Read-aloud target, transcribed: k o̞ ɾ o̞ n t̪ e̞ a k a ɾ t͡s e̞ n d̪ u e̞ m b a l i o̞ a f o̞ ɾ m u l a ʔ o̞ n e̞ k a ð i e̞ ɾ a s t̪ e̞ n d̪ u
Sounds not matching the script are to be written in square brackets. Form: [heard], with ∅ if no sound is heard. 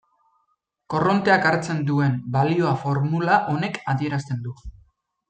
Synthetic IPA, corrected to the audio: k o̞ [r] o̞ n t̪ e̞ a k a ɾ t͡s e̞ n d̪ u e̞ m b a l i o̞ a f o̞ ɾ m u l a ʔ o̞ n e̞ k a ð i e̞ ɾ a s t̪ e̞ n d̪ u

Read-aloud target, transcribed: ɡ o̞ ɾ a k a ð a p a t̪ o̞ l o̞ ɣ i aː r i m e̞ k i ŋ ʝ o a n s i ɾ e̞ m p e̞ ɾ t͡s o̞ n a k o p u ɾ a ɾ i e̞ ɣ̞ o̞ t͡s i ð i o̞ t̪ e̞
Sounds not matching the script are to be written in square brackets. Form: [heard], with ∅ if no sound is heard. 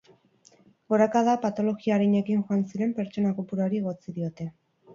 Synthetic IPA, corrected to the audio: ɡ o̞ ɾ a k a ð a p a t̪ o̞ l o̞ ɣ i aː [ɾ] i [ɲ] e̞ k i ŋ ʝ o a n s i ɾ e̞ m p e̞ ɾ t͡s o̞ n a k o p u ɾ a ɾ i e̞ ɣ̞ o̞ t͡s i ð i o̞ t̪ e̞

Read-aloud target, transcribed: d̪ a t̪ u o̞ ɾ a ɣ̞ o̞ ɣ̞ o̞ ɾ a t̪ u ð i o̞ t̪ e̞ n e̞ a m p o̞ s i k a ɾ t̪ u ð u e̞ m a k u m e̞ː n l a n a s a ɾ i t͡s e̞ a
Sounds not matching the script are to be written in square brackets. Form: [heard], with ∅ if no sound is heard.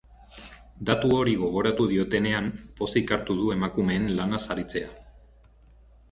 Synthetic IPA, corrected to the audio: d̪ a t̪ u o̞ ɾ [i] ɣ̞ o̞ ɣ̞ o̞ ɾ a t̪ u ð i o̞ t̪ e̞ n e̞ a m p o̞ s i k a ɾ t̪ u ð u e̞ m a k u m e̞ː n l a n a s a ɾ i t͡s e̞ a

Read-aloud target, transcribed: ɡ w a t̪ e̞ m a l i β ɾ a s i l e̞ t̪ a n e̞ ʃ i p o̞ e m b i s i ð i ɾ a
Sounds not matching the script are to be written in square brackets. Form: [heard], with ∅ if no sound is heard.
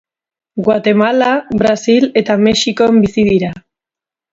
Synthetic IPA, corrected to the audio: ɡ w a t̪ e̞ m a l [a] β ɾ a s i l e̞ t̪ a [m] e̞ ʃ i [k] o̞ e m b i s i ð i ɾ a

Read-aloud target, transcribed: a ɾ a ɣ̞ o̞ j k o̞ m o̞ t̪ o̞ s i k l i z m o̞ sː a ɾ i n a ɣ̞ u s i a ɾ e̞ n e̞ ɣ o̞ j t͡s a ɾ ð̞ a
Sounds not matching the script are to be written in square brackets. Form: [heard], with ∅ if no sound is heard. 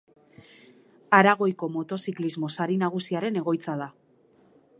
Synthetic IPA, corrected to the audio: a ɾ a ɣ̞ o̞ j k o̞ m o̞ t̪ o̞ s i k l i z m o̞ [s] a ɾ i n a ɣ̞ u s i a ɾ e̞ n e̞ ɣ o̞ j t͡s a [∅] ð̞ a

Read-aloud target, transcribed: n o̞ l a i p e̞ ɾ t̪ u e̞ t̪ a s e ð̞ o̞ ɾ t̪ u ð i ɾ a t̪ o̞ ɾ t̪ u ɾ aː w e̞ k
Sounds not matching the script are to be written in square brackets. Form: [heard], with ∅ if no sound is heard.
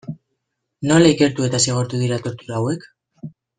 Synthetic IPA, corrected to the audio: n o̞ l a i [k] e̞ ɾ t̪ u e̞ t̪ a s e [ɣ̞] o̞ ɾ t̪ u ð i ɾ a t̪ o̞ ɾ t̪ u ɾ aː w e̞ k

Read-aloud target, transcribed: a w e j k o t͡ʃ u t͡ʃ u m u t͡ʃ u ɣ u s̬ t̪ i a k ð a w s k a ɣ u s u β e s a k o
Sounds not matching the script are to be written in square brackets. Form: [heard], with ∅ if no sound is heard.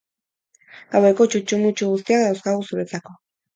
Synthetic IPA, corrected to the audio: a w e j k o t͡ʃ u t͡ʃ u m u t͡ʃ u ɣ u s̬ t̪ i a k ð a w s k a ɣ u s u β e [t͡s] a k o

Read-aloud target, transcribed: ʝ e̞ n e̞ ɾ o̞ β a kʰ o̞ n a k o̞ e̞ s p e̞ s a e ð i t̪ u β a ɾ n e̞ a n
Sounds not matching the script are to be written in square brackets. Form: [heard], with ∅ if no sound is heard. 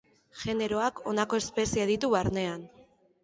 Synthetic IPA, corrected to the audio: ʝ e̞ n e̞ ɾ o̞ [∅] a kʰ o̞ n a k o̞ e̞ s p e̞ s [i] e ð i t̪ u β a ɾ n e̞ a n

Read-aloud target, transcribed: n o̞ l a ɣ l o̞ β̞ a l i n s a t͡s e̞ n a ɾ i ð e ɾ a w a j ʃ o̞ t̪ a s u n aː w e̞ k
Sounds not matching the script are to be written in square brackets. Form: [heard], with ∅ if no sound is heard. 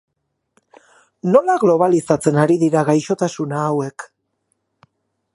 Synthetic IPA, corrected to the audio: n o̞ l a ɣ l o̞ β̞ a l i [∅] s a t͡s e̞ n a ɾ i ð [i] ɾ a [ɣ] a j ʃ o̞ t̪ a s u n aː w e̞ k

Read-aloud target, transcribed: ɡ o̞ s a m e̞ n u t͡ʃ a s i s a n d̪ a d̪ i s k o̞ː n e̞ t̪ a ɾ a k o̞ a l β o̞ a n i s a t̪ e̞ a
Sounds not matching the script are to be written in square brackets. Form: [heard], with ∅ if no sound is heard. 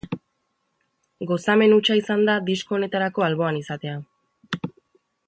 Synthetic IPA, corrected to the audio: ɡ o̞ s a m e̞ n u t͡ʃ a [∅] i s a n d̪ a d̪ i s k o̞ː n e̞ t̪ a ɾ a k o̞ a l β o̞ a n i s a t̪ e̞ a

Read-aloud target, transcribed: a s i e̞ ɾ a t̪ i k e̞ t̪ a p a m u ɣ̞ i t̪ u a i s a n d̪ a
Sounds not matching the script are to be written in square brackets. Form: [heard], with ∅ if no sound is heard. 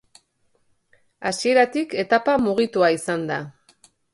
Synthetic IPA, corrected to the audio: a s i e̞ ɾ a t̪ i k e̞ t̪ a p a m u ɣ̞ i t̪ u a i s a n d̪ a

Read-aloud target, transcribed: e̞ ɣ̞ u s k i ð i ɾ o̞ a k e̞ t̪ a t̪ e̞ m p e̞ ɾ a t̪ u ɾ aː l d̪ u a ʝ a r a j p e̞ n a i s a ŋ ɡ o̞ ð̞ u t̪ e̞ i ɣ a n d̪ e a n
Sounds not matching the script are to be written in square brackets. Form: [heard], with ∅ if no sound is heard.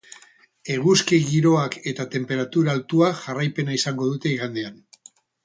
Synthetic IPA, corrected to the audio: e̞ ɣ̞ u s k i [ɣ] i ɾ o̞ a k e̞ t̪ a t̪ e̞ m p e̞ ɾ a t̪ u ɾ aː l [t̪] u a ʝ a r a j p e̞ n a i s a ŋ ɡ o̞ ð̞ u t̪ e̞ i ɣ a n d̪ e a n

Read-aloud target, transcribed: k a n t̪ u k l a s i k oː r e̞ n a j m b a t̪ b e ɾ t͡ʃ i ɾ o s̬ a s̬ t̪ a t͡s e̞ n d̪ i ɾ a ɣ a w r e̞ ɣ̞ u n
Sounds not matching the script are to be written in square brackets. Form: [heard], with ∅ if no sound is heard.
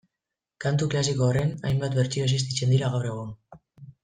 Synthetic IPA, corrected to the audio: k a n t̪ u k l a s i k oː r e̞ n a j m b a t̪ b e ɾ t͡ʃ i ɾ o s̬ [i] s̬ t̪ [i] t͡s e̞ n d̪ i ɾ a ɣ a w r e̞ ɣ̞ u n

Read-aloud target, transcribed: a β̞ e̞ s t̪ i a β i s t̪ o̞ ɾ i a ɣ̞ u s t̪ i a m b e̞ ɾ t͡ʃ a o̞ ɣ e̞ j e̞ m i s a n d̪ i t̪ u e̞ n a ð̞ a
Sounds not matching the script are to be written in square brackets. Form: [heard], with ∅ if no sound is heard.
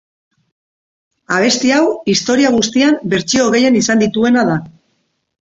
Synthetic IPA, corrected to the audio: a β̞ e̞ s t̪ i a [w] i s t̪ o̞ ɾ i a ɣ̞ u s t̪ i a m b e̞ ɾ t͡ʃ [i] o̞ ɣ e̞ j e̞ [n] i s a n d̪ i t̪ u e̞ n a ð̞ a

